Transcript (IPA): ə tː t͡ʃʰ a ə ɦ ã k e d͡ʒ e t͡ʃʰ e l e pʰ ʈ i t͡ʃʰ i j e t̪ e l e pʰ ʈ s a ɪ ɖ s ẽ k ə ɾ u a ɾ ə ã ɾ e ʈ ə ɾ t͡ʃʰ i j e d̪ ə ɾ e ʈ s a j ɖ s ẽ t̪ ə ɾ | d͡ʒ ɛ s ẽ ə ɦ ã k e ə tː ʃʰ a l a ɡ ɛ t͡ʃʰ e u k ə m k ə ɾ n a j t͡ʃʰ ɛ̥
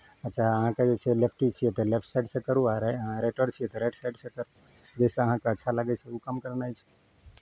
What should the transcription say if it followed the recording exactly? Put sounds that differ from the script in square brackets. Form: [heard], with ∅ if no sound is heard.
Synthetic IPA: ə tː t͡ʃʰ a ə ɦ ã k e d͡ʒ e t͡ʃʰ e l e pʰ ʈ i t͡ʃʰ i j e t̪ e l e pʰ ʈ s a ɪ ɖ s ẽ k ə ɾ u a ɾ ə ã ɾ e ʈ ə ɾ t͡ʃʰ i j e [t̪] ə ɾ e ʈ s a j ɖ s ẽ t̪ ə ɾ | d͡ʒ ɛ s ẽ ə ɦ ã k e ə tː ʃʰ a l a ɡ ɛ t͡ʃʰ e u k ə m k ə ɾ n a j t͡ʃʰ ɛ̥